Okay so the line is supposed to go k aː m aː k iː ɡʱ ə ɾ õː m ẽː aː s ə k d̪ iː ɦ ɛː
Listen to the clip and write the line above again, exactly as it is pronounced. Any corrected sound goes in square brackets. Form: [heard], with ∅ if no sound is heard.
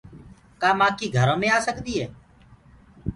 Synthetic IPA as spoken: k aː m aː k iː ɡʱ ə ɾ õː m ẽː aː s ə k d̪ iː ɦ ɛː